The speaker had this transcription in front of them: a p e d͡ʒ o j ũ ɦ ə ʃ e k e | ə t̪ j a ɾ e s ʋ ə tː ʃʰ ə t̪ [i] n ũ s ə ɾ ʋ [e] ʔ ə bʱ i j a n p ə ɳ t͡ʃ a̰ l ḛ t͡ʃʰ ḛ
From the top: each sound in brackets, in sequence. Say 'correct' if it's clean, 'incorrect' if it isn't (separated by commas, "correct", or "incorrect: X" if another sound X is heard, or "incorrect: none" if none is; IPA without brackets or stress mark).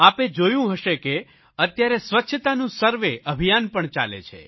incorrect: a, correct